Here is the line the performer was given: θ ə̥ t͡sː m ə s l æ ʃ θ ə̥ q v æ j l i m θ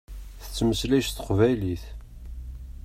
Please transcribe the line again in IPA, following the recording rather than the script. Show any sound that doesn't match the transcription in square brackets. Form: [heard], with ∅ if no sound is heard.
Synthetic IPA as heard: θ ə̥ t͡sː m ə s l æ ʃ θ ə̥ q v æ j l i [∅] θ